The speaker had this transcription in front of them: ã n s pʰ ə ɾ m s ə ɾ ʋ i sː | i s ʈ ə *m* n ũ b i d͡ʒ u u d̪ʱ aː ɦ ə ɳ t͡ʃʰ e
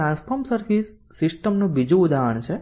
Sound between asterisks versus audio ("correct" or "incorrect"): correct